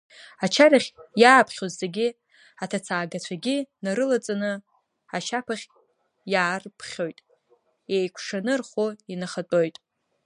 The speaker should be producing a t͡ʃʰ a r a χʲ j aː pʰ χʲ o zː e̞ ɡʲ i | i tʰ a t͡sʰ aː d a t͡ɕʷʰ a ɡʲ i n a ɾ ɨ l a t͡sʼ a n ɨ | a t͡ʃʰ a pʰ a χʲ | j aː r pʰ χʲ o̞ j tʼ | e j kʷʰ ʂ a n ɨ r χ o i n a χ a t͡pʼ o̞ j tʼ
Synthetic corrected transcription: a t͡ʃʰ a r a χʲ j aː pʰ χʲ o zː e̞ ɡʲ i | a tʰ a t͡sʰ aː ɡ a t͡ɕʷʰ a ɡʲ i n a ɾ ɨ l a t͡sʼ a n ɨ | a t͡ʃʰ a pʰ a χʲ | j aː r pʰ χʲ o̞ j tʼ | e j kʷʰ ʂ a n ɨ r χ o i n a χ a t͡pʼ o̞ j tʼ